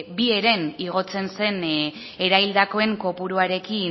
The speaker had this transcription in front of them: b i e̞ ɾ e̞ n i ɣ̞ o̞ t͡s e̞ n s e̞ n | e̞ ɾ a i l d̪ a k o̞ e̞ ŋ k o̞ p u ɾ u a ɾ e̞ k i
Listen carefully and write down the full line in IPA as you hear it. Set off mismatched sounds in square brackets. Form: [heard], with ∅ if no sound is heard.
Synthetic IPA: b i e̞ ɾ e̞ n i ɣ̞ o̞ t͡s e̞ n s e̞ n | e̞ ɾ a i l d̪ a k o̞ e̞ ŋ k o̞ p u ɾ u a ɾ e̞ k i